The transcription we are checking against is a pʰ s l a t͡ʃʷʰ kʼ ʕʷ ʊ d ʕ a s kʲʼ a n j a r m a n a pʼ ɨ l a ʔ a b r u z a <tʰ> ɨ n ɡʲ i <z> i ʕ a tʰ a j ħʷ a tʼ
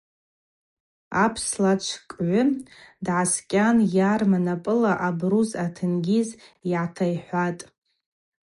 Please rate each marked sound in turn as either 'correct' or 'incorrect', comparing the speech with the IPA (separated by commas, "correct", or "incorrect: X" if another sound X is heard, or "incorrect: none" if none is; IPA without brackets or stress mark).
correct, correct